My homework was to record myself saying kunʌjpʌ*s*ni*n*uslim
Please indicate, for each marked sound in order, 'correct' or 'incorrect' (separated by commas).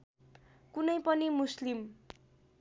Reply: incorrect, incorrect